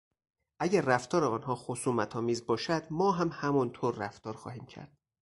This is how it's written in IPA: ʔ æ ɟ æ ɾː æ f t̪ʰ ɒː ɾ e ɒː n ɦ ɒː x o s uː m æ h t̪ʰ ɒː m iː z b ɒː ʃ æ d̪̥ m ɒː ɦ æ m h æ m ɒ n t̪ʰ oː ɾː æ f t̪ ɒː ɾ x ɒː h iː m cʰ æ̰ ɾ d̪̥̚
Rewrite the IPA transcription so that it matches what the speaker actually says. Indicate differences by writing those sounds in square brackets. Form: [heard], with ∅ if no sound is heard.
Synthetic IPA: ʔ æ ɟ æ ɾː æ f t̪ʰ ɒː ɾ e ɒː n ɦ ɒː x o s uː m æ [∅] t̪ʰ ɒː m iː z b ɒː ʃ æ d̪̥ m ɒː ɦ æ m h æ m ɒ n t̪ʰ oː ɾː æ f t̪ ɒː ɾ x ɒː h iː m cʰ æ̰ ɾ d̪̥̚